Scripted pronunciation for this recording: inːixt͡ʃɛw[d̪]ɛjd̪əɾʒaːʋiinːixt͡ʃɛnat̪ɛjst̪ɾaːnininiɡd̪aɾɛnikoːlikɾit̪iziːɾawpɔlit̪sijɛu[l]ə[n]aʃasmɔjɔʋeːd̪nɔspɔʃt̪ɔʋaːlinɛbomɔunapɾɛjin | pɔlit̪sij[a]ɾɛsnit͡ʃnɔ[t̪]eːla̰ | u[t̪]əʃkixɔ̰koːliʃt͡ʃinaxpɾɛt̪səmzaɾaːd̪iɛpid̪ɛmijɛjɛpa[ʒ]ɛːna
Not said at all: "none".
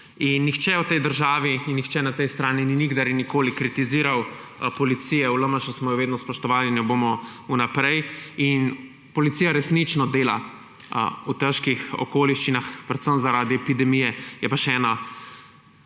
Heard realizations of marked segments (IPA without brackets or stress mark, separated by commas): t̪, l, m, a, d̪, t̪, ʃ